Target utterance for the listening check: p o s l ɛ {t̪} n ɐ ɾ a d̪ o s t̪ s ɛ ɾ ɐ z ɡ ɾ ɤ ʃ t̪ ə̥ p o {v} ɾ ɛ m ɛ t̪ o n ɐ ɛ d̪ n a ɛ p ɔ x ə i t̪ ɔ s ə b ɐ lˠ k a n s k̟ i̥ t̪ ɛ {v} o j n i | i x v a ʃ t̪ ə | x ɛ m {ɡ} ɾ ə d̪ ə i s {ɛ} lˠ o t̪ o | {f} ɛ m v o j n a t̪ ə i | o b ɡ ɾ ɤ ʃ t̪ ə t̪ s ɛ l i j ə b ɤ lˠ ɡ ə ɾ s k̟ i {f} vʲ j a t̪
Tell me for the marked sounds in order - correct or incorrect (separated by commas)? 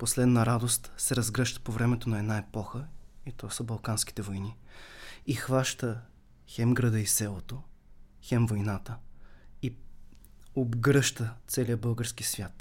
incorrect, correct, correct, correct, correct, incorrect, incorrect